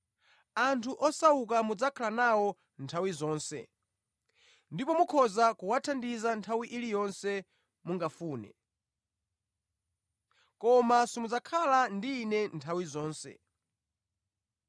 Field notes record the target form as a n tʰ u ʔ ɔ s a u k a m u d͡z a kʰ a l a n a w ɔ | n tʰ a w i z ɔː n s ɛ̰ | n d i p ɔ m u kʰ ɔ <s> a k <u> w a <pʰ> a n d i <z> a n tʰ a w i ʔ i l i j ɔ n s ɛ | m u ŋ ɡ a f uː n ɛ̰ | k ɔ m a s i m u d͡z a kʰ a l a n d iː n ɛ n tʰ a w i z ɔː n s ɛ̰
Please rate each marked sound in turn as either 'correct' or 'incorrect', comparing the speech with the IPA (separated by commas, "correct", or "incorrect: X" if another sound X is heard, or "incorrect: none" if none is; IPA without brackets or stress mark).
incorrect: z, correct, incorrect: tʰ, correct